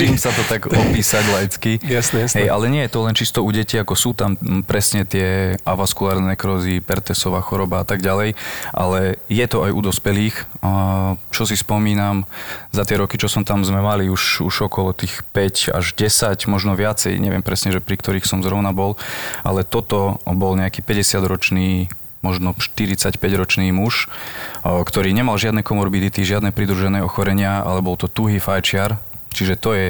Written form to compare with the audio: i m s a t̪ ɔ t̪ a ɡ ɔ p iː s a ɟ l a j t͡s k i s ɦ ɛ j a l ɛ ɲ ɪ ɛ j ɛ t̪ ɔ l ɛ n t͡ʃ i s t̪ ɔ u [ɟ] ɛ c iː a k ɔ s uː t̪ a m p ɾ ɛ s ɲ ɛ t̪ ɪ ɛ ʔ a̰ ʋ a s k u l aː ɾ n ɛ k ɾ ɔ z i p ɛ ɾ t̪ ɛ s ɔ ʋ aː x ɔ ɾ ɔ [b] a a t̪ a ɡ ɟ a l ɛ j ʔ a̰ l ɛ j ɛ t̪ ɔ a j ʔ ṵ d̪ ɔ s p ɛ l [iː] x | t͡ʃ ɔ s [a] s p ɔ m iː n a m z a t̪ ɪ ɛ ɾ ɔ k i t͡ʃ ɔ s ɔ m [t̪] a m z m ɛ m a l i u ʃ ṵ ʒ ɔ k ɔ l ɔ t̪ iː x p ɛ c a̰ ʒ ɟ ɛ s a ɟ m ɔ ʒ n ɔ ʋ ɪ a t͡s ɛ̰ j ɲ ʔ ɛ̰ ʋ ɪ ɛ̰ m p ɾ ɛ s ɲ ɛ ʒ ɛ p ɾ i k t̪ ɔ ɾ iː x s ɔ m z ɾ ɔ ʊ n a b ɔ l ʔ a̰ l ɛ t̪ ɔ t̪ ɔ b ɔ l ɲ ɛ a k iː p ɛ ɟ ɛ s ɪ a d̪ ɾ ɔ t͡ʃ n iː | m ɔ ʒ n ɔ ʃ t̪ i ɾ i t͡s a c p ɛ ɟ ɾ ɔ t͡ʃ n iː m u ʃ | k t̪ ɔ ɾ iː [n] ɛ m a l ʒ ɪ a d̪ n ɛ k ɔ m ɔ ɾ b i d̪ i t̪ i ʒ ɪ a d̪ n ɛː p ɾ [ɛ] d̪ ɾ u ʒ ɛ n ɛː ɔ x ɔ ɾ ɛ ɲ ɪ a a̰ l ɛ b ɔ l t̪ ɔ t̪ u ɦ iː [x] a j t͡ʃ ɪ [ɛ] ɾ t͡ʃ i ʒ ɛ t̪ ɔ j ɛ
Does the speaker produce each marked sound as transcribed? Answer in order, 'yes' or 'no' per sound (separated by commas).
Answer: yes, yes, yes, no, yes, no, no, no, no